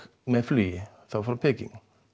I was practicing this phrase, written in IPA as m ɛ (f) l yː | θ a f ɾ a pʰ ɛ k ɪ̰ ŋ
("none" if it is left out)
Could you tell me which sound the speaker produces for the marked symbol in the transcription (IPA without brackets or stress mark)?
f